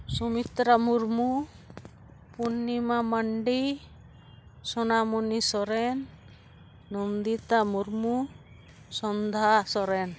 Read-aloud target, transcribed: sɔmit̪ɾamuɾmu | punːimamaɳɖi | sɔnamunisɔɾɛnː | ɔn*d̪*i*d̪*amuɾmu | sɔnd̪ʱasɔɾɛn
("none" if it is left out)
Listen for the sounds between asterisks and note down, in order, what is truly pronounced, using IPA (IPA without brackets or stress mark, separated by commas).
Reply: d̪, t̪